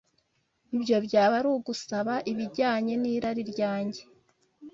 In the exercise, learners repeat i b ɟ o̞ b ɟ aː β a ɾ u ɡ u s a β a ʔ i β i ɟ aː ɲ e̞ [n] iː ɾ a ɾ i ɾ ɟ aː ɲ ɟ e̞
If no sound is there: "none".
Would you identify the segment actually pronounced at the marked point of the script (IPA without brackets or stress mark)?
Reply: n